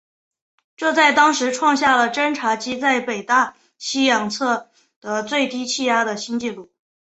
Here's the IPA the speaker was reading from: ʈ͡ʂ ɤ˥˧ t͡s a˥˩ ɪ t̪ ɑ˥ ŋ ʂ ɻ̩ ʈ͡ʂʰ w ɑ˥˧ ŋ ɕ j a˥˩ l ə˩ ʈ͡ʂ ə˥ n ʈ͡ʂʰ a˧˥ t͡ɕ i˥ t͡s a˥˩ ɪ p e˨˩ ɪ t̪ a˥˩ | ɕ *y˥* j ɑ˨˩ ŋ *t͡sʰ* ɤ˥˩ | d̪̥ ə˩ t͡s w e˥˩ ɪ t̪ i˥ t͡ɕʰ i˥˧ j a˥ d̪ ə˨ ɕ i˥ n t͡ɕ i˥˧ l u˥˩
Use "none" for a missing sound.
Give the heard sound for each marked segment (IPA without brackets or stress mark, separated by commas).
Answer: i˥, t͡sʰ